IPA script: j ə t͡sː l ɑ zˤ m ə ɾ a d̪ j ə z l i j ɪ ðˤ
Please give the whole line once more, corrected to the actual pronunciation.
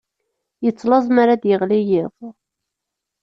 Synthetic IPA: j ə t͡sː l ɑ zˤ m a ɾ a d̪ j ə ʁ l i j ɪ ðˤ